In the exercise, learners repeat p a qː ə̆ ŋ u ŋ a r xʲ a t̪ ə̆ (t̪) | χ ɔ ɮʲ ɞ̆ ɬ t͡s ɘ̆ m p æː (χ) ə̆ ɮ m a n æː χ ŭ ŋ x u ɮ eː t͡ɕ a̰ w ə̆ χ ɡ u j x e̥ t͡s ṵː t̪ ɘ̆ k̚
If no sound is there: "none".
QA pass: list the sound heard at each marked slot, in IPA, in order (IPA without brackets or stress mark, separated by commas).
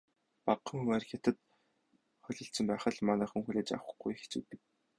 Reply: t̪, χ